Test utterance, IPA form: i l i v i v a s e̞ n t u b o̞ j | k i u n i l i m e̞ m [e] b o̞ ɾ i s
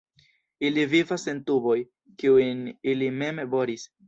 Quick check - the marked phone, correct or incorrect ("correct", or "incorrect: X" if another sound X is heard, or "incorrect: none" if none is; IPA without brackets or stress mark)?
correct